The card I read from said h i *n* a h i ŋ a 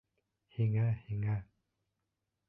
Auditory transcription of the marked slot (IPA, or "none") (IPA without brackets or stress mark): ŋ